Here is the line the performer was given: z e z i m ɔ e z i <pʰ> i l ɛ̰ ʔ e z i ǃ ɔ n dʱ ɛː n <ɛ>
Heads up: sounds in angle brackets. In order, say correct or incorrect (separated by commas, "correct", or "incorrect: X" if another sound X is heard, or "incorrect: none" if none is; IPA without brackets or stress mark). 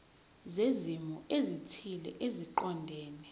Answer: incorrect: tʰ, correct